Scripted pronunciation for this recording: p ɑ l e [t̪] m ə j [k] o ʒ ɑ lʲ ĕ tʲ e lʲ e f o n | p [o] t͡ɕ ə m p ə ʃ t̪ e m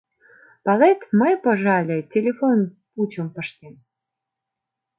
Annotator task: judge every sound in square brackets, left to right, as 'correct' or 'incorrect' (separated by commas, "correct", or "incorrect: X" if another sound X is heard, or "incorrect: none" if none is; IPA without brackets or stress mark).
correct, incorrect: p, incorrect: u